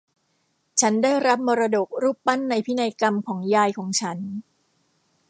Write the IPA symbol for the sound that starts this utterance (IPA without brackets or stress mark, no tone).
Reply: t͡ɕʰ